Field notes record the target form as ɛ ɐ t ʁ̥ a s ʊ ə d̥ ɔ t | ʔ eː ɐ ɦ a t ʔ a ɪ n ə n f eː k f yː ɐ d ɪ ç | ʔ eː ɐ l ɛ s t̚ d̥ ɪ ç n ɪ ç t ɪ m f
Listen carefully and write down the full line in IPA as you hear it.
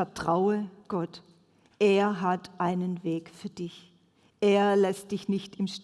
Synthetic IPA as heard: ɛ ɐ t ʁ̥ a ʊ ə ɡ̥ ɔ t | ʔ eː ɐ ɦ a t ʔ a ɪ n ə n v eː k f yː ɐ d ɪ ç | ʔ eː ɐ l ɛ s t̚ d̥ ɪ ç n ɪ ç t ɪ m ʃ